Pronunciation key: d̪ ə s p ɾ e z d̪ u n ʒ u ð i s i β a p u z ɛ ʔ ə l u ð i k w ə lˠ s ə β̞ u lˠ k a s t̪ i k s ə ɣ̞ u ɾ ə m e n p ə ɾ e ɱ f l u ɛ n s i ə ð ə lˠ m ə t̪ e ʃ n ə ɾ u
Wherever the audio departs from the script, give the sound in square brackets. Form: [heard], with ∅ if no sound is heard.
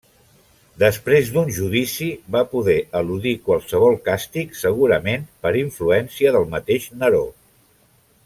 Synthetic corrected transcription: d̪ ə s p ɾ e z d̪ u n ʒ u ð i s i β a p u [ð] ɛ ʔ ə l u ð i k w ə lˠ s ə β̞ [ɔ] lˠ k a s t̪ i k s ə ɣ̞ u ɾ ə m e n p ə ɾ [i] ɱ f l u ɛ n s i ə ð ə lˠ m ə t̪ e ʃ n ə ɾ [o]